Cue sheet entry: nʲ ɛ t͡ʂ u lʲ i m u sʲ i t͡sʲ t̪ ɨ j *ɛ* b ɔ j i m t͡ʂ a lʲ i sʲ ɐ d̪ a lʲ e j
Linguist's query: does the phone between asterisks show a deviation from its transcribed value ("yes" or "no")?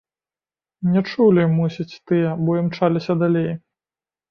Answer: no